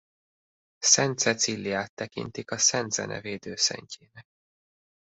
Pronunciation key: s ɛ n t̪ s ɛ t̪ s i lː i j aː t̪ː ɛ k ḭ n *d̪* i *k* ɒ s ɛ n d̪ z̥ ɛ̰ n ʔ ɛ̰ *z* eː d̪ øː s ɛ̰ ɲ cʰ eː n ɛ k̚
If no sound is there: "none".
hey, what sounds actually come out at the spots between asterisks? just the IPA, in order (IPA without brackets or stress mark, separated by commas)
t̪, k, v